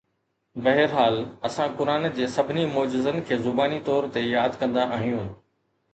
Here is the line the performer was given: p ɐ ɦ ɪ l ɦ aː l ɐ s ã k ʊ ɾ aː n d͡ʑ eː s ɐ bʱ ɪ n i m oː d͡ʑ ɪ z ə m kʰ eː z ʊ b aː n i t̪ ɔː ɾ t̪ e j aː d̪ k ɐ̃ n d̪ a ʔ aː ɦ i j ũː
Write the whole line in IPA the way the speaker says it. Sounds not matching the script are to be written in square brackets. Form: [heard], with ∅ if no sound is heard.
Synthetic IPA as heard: [b] ɐ ɦ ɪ [ɾ] ɦ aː l ɐ s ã k ʊ ɾ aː n d͡ʑ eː s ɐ bʱ ɪ n i m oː d͡ʑ ɪ z ə [n] kʰ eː z ʊ b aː n i t̪ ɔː ɾ t̪ e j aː d̪ k ɐ̃ n d̪ a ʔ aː ɦ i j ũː